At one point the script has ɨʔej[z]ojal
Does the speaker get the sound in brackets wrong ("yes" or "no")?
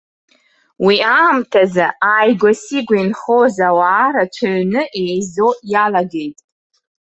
no